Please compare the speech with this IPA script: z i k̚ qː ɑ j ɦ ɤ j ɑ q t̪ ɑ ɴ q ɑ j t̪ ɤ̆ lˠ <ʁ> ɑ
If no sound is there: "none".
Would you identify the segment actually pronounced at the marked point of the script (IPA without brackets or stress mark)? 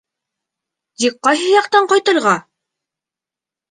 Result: ʁ